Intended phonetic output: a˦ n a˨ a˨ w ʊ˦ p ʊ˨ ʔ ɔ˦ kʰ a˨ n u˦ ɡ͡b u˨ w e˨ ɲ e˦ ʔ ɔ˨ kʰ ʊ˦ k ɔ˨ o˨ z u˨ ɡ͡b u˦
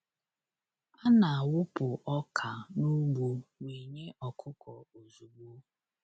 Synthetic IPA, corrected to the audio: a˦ n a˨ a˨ w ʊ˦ p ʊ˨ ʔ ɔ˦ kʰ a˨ n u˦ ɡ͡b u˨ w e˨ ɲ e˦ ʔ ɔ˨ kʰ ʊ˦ k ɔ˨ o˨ z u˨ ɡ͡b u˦